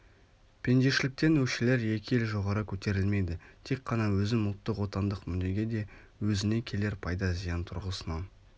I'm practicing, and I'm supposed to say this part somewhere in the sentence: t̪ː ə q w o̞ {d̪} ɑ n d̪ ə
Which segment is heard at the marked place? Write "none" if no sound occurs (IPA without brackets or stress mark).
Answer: t̪